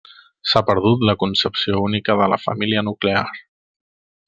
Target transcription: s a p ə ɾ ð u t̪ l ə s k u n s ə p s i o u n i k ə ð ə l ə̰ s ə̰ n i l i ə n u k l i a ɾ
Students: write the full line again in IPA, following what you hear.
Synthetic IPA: s a p ə ɾ ð u t̪ l ə k u n s ə p s i o u n i k ə ð ə l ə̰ f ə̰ m i l i ə n u k l e a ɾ